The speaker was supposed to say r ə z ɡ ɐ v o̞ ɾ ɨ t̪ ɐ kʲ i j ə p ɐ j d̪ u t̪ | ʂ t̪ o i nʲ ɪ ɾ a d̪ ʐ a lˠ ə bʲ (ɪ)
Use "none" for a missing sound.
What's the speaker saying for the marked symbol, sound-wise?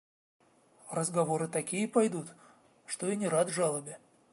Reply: ɪ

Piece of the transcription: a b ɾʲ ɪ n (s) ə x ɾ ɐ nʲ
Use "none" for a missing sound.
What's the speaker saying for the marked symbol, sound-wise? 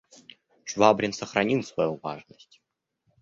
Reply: s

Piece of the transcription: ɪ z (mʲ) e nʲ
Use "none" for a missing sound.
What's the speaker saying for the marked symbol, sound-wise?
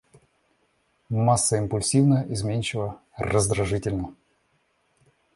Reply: mʲ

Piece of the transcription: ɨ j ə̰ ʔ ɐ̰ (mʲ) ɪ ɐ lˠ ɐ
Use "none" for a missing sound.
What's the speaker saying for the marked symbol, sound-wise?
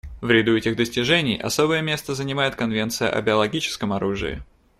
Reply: bʲ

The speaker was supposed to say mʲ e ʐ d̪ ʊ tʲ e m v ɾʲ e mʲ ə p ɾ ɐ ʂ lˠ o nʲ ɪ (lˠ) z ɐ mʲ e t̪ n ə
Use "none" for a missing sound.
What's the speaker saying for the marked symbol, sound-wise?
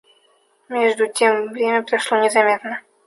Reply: none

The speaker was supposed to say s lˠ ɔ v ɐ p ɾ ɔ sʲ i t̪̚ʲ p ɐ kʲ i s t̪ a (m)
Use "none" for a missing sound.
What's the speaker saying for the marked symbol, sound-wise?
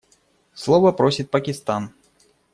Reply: n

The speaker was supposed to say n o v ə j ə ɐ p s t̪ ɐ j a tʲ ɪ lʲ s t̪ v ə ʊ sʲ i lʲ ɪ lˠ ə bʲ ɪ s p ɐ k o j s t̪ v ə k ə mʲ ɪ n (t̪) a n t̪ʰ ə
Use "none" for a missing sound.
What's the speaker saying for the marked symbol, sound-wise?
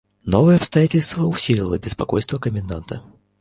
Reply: d̪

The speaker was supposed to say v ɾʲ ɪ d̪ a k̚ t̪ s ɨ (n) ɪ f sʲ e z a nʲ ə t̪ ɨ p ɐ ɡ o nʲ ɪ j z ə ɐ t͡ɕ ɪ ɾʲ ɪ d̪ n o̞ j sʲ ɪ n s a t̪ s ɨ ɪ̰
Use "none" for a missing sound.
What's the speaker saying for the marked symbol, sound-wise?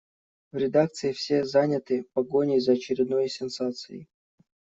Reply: none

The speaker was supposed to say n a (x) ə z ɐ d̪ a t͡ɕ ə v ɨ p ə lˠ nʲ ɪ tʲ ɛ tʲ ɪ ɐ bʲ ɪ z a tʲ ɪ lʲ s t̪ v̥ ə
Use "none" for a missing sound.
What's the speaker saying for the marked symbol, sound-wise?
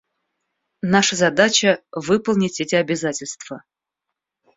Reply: ʂ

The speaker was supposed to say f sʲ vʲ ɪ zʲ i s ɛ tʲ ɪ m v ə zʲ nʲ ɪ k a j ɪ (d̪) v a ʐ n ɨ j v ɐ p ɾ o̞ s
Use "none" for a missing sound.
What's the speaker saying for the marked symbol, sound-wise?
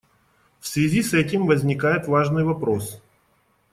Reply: t̪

